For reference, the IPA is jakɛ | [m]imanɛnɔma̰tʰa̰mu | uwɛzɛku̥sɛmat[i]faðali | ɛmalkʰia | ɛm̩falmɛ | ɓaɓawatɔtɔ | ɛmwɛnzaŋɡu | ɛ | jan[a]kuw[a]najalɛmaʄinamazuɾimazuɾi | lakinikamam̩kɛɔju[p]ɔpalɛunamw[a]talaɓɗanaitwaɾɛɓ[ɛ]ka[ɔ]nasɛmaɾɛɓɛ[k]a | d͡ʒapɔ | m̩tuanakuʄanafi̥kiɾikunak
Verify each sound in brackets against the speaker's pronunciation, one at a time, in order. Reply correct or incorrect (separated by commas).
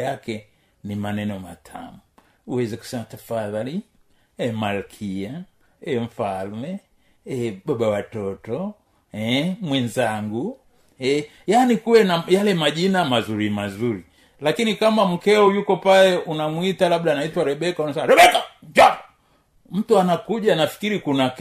incorrect, incorrect, incorrect, incorrect, incorrect, incorrect, correct, incorrect, correct